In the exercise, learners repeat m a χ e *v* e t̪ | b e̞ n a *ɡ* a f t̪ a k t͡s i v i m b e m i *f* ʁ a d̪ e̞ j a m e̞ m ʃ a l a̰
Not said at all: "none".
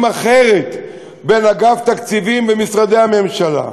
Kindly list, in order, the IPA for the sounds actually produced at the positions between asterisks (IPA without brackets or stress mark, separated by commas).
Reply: ʁ, ɡ, s